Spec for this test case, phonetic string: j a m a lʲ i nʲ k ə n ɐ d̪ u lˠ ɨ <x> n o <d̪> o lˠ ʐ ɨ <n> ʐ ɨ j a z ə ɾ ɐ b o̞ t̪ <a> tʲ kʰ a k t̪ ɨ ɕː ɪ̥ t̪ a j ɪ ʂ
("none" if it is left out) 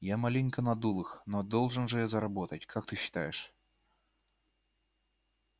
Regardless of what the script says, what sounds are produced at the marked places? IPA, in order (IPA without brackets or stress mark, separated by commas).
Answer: x, d̪, n, ə